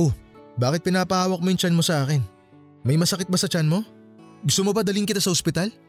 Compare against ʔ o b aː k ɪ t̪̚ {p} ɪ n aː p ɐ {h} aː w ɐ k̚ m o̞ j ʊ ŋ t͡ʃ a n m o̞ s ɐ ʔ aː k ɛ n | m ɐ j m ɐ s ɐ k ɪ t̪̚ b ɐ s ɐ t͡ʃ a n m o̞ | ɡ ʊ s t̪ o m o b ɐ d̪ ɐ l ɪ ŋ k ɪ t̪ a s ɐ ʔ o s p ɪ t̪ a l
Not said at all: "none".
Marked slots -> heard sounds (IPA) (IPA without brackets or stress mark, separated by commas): p, h